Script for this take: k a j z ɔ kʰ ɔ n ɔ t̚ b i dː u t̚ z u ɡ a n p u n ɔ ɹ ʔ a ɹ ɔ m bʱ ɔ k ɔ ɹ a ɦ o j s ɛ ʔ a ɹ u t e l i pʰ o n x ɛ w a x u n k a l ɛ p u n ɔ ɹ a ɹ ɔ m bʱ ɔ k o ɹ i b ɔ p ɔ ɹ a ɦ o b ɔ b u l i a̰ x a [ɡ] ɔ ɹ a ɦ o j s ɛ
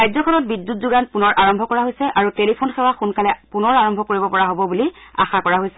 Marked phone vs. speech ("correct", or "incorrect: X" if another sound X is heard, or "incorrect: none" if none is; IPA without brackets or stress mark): incorrect: k